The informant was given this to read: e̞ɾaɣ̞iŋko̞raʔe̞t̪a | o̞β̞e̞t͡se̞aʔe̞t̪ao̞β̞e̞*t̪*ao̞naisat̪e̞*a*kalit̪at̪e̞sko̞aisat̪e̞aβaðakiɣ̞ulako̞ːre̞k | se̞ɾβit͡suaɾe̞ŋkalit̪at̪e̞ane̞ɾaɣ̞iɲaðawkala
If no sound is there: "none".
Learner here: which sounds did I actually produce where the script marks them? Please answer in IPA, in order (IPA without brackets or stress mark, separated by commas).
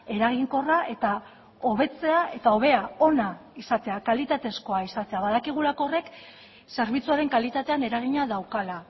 none, a